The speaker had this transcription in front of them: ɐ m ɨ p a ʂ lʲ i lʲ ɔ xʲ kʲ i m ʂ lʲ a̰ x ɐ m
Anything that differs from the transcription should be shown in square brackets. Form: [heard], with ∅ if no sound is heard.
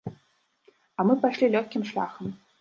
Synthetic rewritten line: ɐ m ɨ p a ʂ lʲ i lʲ ɔ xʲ kʲ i m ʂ lʲ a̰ x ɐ m